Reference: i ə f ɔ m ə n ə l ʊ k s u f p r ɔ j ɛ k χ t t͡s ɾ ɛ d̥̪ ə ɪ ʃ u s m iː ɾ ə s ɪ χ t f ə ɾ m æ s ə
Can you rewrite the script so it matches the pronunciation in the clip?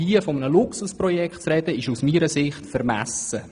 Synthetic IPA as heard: i ə f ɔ m ə n ə l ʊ k s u s p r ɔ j ɛ k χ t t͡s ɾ ɛ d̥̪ ə ɪ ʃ u s m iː ɾ ə s ɪ χ t f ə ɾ m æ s ə